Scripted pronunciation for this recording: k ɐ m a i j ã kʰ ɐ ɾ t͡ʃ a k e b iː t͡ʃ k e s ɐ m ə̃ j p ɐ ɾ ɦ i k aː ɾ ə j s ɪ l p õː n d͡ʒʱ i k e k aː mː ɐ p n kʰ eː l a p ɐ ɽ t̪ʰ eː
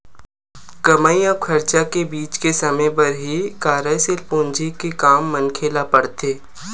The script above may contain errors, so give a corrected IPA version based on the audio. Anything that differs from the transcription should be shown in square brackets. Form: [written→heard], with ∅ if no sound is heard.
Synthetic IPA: k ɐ m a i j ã kʰ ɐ ɾ t͡ʃ a k e b iː t͡ʃ k e s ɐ m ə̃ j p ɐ ɾ ɦ i k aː ɾ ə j s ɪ l p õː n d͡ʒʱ i k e k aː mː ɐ [p→∅] n kʰ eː l a p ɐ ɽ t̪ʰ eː